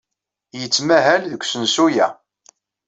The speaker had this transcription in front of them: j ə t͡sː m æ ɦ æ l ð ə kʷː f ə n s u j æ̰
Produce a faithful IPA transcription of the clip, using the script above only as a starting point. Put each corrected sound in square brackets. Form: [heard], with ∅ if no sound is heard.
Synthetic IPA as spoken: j ə t͡sː m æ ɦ æ l ð ə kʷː [s] ə n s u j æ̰